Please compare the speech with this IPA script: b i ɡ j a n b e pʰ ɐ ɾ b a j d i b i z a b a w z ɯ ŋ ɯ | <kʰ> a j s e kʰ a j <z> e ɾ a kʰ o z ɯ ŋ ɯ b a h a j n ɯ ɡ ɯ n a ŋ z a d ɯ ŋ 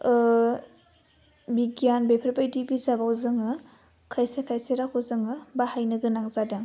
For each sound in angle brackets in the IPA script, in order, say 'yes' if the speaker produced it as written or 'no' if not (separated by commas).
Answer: yes, no